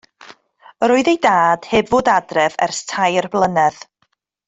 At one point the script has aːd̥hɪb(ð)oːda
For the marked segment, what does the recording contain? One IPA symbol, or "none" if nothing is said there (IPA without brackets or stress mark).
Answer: v